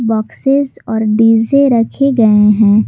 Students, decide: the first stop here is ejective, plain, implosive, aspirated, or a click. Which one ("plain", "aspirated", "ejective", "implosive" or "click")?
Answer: plain